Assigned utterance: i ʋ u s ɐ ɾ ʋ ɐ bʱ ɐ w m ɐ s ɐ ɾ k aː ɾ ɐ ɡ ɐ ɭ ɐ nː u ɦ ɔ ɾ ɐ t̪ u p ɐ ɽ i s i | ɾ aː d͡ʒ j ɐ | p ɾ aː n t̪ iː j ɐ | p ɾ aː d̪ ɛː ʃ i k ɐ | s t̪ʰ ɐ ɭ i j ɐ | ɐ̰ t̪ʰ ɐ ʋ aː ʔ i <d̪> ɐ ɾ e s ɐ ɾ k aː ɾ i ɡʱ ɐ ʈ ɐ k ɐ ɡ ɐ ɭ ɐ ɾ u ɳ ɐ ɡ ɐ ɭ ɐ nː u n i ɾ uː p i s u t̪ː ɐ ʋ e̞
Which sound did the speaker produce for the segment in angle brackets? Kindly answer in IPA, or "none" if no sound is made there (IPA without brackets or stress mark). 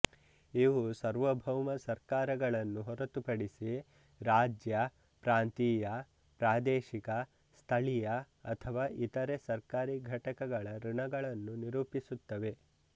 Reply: t̪